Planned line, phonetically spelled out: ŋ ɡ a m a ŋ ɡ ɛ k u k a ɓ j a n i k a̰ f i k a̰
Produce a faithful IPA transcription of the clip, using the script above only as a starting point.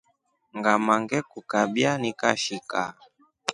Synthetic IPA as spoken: ŋ ɡ a m a ŋ ɡ ɛ k u k a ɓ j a n i k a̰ ʃ i k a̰